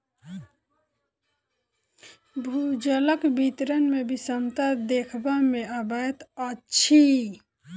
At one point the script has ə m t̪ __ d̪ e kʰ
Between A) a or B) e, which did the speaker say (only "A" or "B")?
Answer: A